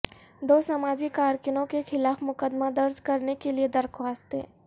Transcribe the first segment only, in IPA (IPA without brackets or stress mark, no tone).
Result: d̪